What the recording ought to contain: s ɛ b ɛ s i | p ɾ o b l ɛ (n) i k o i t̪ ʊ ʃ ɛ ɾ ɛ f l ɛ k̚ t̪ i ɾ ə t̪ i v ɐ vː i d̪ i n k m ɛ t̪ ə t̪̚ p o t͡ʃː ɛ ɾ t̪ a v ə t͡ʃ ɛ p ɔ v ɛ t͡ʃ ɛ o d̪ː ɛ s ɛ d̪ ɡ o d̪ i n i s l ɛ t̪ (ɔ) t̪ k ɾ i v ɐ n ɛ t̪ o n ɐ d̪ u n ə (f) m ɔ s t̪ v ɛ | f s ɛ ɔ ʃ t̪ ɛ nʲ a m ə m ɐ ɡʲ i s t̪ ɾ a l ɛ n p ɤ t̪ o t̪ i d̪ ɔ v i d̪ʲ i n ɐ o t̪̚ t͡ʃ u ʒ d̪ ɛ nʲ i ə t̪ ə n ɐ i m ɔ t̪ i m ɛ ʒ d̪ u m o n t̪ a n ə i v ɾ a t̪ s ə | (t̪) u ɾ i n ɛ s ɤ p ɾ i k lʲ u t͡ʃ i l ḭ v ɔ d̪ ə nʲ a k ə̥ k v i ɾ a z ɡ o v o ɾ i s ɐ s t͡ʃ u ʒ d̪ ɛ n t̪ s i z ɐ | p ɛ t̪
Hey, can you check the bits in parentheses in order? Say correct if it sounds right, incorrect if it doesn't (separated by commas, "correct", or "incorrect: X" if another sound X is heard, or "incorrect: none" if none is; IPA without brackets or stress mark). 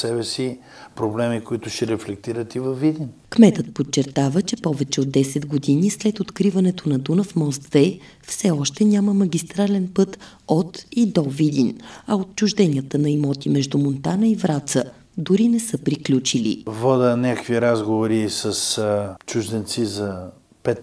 incorrect: m, incorrect: o, correct, incorrect: d̪